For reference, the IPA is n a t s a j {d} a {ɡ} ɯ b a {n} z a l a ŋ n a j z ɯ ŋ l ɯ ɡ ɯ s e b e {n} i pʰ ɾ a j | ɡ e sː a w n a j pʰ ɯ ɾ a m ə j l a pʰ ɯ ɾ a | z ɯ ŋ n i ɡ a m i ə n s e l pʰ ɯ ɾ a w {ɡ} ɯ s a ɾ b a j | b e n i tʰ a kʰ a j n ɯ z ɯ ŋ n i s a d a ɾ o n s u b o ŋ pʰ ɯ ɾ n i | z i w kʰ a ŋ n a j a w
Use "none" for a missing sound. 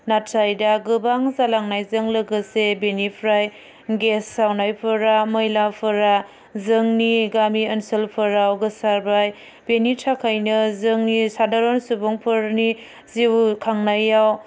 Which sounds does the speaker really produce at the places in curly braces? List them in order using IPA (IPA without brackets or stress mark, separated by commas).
d, ɡ, ŋ, n, ɡ